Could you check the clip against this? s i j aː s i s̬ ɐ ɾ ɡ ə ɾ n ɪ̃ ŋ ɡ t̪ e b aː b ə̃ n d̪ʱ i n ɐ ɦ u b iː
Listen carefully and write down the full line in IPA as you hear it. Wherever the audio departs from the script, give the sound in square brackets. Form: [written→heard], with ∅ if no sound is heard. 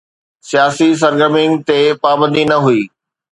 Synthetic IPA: s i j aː s i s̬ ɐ ɾ ɡ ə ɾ [n→m] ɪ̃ ŋ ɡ t̪ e [b→p] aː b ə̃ n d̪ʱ i n ɐ ɦ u [b→∅] iː